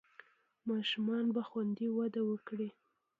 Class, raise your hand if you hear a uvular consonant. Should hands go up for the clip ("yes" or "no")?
no